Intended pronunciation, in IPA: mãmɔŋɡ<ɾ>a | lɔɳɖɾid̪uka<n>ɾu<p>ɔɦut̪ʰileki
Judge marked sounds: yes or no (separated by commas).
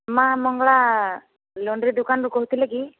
no, yes, no